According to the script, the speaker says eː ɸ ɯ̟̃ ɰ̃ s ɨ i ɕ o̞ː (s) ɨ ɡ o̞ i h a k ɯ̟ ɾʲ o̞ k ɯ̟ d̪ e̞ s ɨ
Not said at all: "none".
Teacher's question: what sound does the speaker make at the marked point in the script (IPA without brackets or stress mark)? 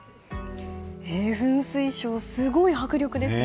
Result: s